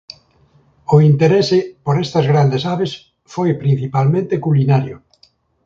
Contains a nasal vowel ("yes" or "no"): yes